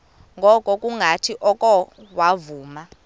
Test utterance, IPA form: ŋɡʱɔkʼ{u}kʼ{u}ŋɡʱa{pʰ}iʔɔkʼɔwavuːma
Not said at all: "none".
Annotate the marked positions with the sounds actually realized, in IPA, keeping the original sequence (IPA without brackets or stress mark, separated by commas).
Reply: ɔ, u, tʰ